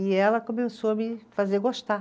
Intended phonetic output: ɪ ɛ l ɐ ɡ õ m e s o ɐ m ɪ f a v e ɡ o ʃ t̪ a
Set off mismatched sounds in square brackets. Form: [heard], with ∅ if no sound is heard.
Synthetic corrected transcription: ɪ ɛ l ɐ [k] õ m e s o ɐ m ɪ f a [z] e ɡ o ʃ t̪ a

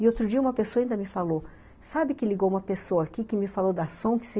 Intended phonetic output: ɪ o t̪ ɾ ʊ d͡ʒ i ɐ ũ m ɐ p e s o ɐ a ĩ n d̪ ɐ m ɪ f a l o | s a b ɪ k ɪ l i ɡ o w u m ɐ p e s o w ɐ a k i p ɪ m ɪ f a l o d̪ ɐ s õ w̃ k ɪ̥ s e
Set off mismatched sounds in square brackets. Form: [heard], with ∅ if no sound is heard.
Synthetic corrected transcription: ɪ o t̪ ɾ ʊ d͡ʒ i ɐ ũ m ɐ p e s o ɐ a ĩ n d̪ ɐ m ɪ f a l o | s a b ɪ k ɪ l i ɡ o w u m ɐ p e s o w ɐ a k i [k] ɪ m ɪ f a l o d̪ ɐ s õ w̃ k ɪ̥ s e

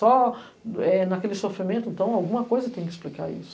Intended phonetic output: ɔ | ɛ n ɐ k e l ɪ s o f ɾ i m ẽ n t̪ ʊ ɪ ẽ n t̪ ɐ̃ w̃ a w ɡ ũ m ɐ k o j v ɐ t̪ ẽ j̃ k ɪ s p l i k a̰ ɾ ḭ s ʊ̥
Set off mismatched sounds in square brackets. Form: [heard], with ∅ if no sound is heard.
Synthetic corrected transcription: ɔ | ɛ n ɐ k e l ɪ s o f ɾ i m ẽ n t̪ ʊ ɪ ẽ n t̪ ɐ̃ w̃ a w ɡ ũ m ɐ k o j [z] ɐ t̪ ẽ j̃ k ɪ s p l i k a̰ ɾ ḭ s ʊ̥

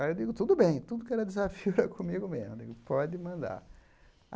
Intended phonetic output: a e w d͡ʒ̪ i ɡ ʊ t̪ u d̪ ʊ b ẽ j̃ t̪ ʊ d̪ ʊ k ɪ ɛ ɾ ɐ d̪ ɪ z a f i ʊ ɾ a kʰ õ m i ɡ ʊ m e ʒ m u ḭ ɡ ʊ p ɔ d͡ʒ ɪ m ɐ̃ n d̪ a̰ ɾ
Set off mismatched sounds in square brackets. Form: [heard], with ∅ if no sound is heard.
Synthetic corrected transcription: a e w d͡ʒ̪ i ɡ ʊ t̪ u d̪ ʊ b ẽ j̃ t̪ [u] d̪ ʊ k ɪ ɛ ɾ ɐ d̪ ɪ z a f i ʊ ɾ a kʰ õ m i ɡ ʊ m e [z] m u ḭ ɡ ʊ p ɔ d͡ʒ ɪ m ɐ̃ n d̪ a̰ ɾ

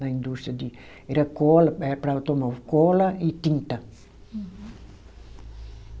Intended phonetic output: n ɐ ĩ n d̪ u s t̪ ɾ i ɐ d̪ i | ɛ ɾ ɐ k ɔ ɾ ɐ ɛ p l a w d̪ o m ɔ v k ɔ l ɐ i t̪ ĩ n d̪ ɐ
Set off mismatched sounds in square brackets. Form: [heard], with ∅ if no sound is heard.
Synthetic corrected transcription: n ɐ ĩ n d̪ u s t̪ ɾ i ɐ d̪ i | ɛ ɾ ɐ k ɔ [l] ɐ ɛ p [ɾ] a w [t̪] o m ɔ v k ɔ l ɐ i t̪ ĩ n [t̪] ɐ

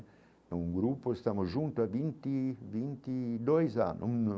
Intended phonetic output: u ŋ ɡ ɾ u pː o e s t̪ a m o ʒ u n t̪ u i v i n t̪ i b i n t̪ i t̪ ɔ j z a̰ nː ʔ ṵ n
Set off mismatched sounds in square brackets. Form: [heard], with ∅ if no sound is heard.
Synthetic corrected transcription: u ŋ ɡ ɾ u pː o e s t̪ a m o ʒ u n t̪ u [a] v i n t̪ i [v] i n t̪ i [d̪] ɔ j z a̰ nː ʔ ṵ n

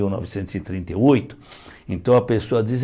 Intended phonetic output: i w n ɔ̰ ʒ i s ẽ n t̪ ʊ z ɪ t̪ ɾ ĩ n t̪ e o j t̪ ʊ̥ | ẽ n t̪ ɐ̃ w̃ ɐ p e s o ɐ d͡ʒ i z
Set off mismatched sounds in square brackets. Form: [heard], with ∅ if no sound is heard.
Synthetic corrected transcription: i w n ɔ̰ [v] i s ẽ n t̪ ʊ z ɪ t̪ ɾ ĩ n t̪ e o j t̪ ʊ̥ | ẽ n t̪ ɐ̃ w̃ ɐ p e s o ɐ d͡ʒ i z

